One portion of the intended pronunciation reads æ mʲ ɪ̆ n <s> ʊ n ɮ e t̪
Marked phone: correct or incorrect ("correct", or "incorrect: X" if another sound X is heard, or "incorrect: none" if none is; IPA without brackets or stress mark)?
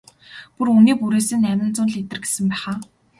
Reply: incorrect: t͡s